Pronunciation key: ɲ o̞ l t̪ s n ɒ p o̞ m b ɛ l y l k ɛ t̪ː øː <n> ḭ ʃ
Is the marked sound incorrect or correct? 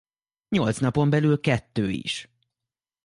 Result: incorrect